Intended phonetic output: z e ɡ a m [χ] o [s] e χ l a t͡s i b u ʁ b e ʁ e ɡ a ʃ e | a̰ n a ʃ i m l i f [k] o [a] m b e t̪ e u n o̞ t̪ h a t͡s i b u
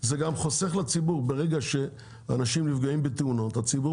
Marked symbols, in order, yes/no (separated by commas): yes, yes, no, no